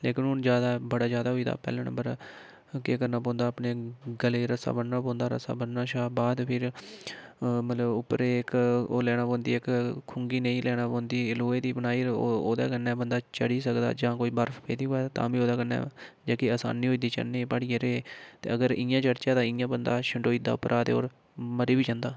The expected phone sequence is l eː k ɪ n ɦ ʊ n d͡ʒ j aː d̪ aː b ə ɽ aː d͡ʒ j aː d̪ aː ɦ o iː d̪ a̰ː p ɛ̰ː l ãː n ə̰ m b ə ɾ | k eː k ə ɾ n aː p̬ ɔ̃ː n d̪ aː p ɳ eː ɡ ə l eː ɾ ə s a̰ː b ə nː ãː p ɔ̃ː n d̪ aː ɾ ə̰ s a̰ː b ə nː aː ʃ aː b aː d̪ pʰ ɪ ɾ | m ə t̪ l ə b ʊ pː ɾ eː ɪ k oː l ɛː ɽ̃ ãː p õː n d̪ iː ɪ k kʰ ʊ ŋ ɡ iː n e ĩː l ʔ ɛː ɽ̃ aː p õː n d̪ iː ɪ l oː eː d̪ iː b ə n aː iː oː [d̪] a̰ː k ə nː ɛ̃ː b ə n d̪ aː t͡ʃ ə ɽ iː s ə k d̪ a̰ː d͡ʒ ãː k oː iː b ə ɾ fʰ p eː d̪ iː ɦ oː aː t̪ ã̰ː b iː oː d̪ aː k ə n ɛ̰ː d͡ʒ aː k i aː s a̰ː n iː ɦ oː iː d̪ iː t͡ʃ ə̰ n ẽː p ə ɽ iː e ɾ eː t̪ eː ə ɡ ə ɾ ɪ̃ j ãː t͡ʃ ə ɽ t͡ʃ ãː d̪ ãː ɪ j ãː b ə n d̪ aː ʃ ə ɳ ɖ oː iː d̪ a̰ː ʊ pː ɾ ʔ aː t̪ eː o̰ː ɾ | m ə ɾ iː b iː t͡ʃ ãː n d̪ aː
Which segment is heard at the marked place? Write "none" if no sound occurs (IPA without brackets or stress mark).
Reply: d̪